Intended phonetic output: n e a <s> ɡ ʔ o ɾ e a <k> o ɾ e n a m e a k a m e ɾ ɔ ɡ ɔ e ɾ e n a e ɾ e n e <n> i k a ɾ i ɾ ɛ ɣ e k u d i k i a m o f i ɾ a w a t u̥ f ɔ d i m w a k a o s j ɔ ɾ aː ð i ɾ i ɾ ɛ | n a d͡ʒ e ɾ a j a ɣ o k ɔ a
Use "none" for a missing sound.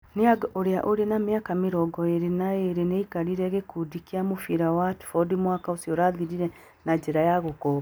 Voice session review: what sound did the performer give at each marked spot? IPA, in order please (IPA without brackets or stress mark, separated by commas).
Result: none, ʔ, none